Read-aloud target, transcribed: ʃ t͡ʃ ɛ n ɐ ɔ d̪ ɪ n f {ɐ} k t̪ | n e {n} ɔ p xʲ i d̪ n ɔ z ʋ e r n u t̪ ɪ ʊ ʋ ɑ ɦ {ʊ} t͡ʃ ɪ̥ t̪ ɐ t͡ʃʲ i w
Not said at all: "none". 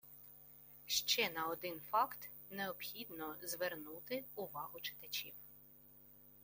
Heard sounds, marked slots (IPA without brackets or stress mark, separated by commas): ɑ, none, ʊ